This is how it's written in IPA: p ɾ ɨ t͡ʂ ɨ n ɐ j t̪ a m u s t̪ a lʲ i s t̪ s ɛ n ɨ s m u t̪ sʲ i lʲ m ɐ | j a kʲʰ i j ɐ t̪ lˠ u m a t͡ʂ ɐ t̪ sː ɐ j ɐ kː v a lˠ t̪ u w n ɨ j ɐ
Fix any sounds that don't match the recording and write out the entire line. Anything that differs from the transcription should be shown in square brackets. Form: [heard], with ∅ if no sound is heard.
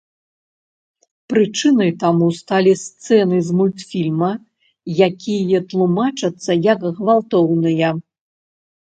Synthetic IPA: p ɾ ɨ t͡ʂ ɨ n ɐ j t̪ a m u s t̪ a lʲ i s t̪ s ɛ n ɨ [z] m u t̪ [fʲ] i lʲ m ɐ | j a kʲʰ i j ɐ t̪ lˠ u m a t͡ʂ ɐ t̪ sː ɐ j ɐ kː v a lˠ t̪ [ɔ] w n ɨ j ɐ

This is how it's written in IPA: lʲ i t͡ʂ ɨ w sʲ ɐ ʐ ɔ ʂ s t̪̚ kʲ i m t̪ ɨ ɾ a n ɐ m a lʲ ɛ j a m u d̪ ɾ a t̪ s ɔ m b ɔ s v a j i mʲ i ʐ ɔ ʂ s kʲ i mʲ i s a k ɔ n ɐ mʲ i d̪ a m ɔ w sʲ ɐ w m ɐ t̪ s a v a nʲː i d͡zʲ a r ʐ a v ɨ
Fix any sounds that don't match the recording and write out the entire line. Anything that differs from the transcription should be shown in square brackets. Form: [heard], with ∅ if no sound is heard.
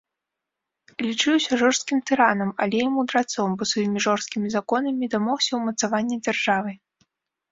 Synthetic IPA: lʲ i t͡ʂ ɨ w sʲ ɐ ʐ ɔ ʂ s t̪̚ kʲ i m t̪ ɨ ɾ a n ɐ m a lʲ ɛ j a m u d̪ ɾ a t̪ s ɔ m b ɔ s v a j i mʲ i ʐ ɔ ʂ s kʲ i mʲ i [z] a k ɔ n ɐ mʲ i d̪ a m ɔ w sʲ ɐ w m ɐ t̪ s a v a nʲː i d͡zʲ a r ʐ a v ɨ

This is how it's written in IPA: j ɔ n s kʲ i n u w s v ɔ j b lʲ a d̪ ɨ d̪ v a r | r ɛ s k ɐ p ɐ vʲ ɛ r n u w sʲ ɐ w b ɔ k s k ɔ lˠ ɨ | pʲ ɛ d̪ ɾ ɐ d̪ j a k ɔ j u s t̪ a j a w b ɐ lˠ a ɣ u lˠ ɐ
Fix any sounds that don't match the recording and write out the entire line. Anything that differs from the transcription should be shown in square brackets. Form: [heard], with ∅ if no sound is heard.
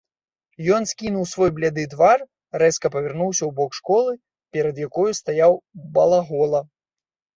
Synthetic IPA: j ɔ n s kʲ i n u w s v ɔ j b lʲ a d̪ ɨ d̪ v a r | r ɛ s k ɐ p ɐ vʲ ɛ r n u w sʲ ɐ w b ɔ k [ʂ] k ɔ lˠ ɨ | pʲ ɛ [∅] ɾ ɐ d̪ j a k ɔ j u s t̪ a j a w b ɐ lˠ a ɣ [ɔ] lˠ ɐ

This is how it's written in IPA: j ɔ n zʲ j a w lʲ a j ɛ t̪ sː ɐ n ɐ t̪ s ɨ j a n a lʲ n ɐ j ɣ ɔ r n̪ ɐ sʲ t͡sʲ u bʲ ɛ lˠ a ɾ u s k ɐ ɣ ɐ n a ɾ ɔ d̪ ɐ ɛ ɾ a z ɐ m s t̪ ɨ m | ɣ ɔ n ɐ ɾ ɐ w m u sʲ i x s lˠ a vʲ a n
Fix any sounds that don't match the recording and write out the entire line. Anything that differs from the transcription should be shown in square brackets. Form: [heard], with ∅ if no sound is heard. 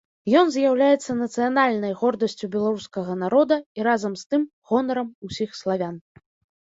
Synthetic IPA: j ɔ n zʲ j a w lʲ a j ɛ t̪ sː ɐ n ɐ t̪ s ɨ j a n a lʲ n ɐ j ɣ ɔ r [d̪] ɐ sʲ t͡sʲ u bʲ ɛ lˠ a ɾ u s k ɐ ɣ ɐ n a ɾ ɔ d̪ ɐ [i] ɾ a z ɐ m s t̪ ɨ m | ɣ ɔ n ɐ ɾ ɐ [∅] m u sʲ i x s lˠ a vʲ a n

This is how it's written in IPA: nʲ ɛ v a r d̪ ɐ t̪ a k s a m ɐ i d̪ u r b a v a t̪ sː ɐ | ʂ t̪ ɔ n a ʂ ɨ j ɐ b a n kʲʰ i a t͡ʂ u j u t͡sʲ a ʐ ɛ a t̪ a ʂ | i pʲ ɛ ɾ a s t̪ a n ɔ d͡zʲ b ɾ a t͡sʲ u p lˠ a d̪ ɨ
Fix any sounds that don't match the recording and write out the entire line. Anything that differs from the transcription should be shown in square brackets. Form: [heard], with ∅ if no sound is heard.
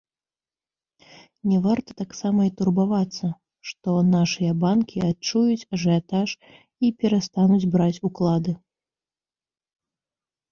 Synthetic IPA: nʲ ɛ v a r [t̪] ɐ t̪ a k s a m ɐ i [t̪] u r b a v a t̪ sː ɐ | ʂ t̪ ɔ n a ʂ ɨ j ɐ b a n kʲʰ i a t͡ʂ u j u t͡sʲ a ʐ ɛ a t̪ a ʂ | i pʲ ɛ ɾ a s t̪ a n [u] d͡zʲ b ɾ a t͡sʲ u [k] lˠ a d̪ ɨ

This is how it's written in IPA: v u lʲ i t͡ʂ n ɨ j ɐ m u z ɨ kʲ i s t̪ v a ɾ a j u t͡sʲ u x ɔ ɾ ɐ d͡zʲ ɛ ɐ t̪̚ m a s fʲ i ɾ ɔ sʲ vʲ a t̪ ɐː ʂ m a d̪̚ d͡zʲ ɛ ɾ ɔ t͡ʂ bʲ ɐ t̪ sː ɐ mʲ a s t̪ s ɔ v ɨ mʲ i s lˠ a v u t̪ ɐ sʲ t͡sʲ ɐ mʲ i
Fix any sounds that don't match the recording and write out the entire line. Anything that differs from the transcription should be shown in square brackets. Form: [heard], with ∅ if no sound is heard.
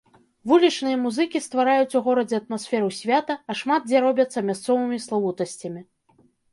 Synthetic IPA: v u lʲ i t͡ʂ n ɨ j ɐ m u z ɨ kʲ i s t̪ v a ɾ a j u t͡sʲ u [ɣ] ɔ ɾ ɐ d͡zʲ ɛ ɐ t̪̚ m a s fʲ [ɛ] ɾ [u] sʲ vʲ a t̪ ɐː ʂ m a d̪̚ d͡zʲ ɛ ɾ ɔ [∅] bʲ ɐ t̪ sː ɐ mʲ a s t̪ s ɔ v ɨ mʲ i s lˠ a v u t̪ ɐ sʲ t͡sʲ ɐ mʲ i

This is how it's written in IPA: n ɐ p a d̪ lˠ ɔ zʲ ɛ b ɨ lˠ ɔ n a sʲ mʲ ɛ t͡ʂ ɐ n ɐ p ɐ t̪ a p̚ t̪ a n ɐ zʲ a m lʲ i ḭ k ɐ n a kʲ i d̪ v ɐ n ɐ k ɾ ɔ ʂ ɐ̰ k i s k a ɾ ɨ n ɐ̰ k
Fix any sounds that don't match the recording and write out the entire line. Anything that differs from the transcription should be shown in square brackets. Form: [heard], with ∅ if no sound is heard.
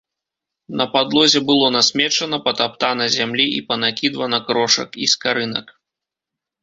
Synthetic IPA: n ɐ p a d̪ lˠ ɔ zʲ ɛ b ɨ lˠ ɔ n a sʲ mʲ ɛ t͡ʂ ɐ n ɐ p ɐ t̪ a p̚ t̪ a n ɐ zʲ a m lʲ i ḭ [p] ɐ n a kʲ i d̪ v ɐ n ɐ k ɾ ɔ ʂ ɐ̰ k i s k a ɾ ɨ n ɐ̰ k

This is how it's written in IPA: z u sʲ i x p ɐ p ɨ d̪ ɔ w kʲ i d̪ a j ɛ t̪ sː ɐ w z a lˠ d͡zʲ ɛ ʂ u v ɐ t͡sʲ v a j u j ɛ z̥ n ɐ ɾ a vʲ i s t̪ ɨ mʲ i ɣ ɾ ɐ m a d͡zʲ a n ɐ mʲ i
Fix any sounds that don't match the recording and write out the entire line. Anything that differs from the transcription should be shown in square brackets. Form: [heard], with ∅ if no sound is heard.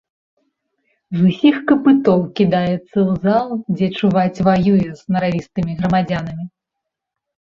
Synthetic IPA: z u sʲ i x [k] ɐ p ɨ [t̪] ɔ w kʲ i d̪ a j ɛ t̪ sː ɐ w z a lˠ d͡zʲ ɛ [t͡ʂ] u v [a] t͡sʲ v a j u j ɛ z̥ n ɐ ɾ a vʲ i s t̪ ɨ mʲ i ɣ ɾ ɐ m a d͡zʲ a n ɐ mʲ i

